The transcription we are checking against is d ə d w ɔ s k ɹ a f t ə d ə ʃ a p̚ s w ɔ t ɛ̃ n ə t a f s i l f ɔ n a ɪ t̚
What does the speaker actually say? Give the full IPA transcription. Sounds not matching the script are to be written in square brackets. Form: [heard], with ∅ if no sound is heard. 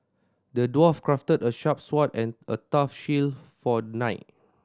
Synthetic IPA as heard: d ə d w ɔ [f] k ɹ a f t ə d ə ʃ a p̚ s w ɔ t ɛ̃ n ə t a f [ʃ] i l f ɔ n a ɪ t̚

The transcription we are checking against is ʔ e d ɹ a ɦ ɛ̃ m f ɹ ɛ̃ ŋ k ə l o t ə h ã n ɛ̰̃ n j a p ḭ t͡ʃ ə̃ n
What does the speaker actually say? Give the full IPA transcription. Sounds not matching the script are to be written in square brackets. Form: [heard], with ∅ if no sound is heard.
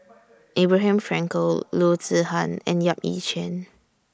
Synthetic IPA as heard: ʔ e [b] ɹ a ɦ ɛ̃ m f ɹ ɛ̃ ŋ k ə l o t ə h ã n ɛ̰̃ n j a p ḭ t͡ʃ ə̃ n

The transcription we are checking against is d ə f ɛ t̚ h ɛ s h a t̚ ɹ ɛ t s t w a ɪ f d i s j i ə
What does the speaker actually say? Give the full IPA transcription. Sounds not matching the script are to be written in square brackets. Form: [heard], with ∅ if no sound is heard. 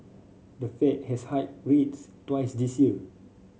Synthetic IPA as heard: d ə f ɛ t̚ h ɛ s h a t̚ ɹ [e] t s t w a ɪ [s] d i s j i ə

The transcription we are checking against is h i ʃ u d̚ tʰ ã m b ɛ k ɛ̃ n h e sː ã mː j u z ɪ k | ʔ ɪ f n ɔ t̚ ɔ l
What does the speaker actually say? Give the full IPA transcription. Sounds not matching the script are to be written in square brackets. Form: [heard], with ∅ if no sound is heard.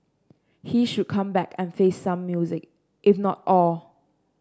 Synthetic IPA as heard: h i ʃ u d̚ [kʰ] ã m b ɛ k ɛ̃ n [f] e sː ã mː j u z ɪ k | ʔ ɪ f n ɔ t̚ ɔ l

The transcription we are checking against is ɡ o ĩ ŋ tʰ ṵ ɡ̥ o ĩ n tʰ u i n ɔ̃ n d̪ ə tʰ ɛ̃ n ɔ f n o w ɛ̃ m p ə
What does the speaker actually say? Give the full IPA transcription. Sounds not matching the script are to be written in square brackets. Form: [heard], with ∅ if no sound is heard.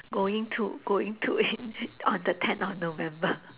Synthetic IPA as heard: ɡ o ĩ ŋ tʰ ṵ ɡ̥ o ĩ [ŋ] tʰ u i n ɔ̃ n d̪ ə tʰ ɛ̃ n ɔ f n o [v] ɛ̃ m [b] ə

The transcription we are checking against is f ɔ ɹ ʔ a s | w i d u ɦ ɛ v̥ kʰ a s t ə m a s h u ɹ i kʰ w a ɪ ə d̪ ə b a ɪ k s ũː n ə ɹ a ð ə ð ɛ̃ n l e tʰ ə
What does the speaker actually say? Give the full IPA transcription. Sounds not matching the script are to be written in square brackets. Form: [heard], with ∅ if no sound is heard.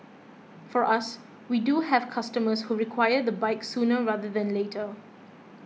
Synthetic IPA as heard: f ɔ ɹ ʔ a s | w i d u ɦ ɛ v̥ kʰ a s t ə m [ə] s h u ɹ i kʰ w a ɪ ə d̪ ə b a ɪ k s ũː n ə ɹ a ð ə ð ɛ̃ n l e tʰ ə

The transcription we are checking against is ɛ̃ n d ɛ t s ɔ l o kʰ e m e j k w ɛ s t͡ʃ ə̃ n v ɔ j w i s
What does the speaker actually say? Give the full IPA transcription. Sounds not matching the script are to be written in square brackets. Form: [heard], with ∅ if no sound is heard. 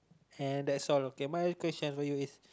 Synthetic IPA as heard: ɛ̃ n d ɛ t s ɔ l o [k] e m [a] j k w ɛ s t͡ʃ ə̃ n [f] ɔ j [u] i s

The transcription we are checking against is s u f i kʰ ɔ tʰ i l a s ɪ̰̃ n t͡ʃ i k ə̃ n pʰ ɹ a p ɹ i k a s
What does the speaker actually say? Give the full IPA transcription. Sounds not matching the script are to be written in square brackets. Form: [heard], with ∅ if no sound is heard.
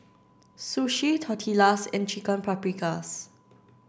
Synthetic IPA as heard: s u [ʃ] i [tʰ] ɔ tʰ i l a s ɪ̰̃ n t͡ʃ i k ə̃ n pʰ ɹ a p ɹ i k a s

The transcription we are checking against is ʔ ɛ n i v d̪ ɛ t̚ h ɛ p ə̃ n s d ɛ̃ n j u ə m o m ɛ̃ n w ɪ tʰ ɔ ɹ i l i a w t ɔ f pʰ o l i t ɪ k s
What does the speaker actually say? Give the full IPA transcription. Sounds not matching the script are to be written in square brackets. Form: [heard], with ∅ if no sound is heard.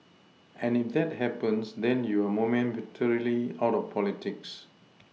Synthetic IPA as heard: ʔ [ɛ̃] n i [f] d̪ ɛ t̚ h ɛ p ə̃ n s d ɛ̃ n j u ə m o m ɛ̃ n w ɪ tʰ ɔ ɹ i l i a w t ɔ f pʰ [ɔ] l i t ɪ k s

